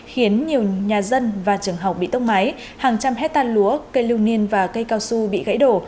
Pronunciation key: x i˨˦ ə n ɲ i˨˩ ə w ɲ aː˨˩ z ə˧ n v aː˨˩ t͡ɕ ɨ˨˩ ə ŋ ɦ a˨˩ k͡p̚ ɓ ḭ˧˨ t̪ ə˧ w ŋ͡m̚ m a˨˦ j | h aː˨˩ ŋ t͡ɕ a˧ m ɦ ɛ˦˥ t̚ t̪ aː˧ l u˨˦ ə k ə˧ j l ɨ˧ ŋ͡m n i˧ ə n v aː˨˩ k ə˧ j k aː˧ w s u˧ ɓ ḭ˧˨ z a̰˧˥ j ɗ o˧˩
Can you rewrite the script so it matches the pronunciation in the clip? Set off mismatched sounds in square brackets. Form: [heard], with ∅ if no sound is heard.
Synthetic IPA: x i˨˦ ə n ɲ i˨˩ ə w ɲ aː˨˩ z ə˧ n v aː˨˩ t͡ɕ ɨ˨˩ ə ŋ ɦ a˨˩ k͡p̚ ɓ ḭ˧˨ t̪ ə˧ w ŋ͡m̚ m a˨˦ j | h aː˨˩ ŋ t͡ɕ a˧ m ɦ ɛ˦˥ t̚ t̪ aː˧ l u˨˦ ə k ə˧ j l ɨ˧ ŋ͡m n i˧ ə n v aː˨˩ k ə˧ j k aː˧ w s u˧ ɓ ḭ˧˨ [ɣ] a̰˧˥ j ɗ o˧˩